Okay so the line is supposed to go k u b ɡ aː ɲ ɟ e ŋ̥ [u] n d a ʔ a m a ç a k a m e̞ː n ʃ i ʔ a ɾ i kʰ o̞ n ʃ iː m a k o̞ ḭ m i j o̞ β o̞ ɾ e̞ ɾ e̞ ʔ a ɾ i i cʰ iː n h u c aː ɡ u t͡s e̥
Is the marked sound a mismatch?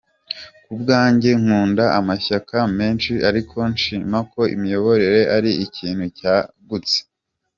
yes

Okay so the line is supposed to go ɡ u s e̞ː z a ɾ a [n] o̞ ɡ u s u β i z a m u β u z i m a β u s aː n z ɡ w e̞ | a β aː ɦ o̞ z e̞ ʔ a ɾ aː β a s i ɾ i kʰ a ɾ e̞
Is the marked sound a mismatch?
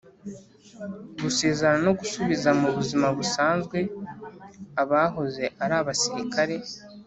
no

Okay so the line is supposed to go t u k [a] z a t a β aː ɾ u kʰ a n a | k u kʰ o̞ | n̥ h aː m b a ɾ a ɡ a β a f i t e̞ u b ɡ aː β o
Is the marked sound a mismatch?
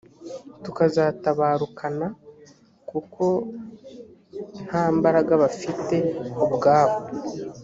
no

